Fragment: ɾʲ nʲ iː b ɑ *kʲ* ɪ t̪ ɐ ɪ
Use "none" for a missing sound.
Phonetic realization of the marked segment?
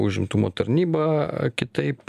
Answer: kʲ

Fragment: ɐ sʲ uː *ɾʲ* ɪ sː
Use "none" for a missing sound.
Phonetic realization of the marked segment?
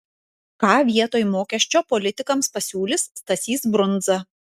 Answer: lʲ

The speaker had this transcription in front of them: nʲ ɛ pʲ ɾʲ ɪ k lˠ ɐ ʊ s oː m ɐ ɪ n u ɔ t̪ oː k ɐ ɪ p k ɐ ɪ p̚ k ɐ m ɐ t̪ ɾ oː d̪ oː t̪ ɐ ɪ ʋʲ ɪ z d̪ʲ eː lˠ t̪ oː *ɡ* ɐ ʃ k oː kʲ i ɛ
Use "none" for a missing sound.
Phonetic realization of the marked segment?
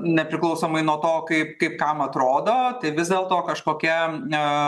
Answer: k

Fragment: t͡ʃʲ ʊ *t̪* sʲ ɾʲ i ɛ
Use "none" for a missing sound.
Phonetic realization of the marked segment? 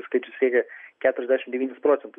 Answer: none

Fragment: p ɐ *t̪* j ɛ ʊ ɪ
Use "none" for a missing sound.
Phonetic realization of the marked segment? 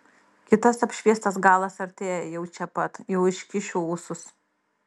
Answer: t̪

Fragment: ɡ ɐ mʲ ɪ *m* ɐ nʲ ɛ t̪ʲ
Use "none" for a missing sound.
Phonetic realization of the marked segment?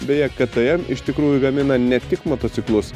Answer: n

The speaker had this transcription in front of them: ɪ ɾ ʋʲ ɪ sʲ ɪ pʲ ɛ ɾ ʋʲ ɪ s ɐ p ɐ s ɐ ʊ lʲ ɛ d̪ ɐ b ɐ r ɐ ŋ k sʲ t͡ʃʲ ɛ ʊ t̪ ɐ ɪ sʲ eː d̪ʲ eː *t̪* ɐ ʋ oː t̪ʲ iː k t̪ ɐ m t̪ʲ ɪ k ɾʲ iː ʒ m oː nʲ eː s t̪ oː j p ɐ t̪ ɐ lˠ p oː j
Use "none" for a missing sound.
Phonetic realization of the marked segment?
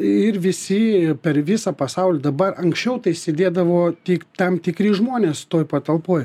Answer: d̪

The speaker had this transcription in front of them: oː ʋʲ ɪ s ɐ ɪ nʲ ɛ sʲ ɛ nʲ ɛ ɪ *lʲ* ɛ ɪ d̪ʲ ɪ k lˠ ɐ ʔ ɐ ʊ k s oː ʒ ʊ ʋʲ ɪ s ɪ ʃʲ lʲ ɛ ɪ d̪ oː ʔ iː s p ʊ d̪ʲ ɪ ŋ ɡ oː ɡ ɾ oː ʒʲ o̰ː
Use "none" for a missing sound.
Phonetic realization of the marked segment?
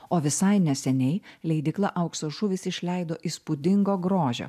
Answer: lʲ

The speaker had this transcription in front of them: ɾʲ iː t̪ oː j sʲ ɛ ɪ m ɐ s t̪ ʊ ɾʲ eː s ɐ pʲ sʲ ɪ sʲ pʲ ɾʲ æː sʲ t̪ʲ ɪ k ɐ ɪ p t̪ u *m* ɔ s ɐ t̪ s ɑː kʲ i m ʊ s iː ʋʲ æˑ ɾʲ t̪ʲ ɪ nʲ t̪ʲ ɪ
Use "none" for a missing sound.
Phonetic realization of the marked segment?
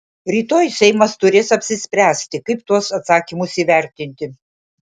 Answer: none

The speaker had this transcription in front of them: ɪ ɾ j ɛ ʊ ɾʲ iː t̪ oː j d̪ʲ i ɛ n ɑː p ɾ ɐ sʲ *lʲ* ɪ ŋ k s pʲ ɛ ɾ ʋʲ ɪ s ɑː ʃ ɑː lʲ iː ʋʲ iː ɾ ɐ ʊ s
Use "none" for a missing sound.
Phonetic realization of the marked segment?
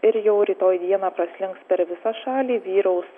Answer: lʲ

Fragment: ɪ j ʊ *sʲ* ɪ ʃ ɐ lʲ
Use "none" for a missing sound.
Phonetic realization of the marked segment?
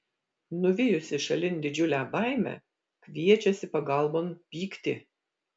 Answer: sʲ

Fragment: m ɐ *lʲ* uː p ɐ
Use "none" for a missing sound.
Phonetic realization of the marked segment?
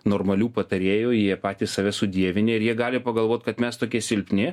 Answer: lʲ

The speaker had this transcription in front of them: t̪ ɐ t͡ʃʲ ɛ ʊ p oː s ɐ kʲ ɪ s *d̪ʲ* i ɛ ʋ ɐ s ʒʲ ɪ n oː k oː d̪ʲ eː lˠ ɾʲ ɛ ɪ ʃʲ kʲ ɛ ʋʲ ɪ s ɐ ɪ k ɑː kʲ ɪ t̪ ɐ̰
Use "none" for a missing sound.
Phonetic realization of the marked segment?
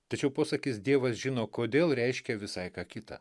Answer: d̪ʲ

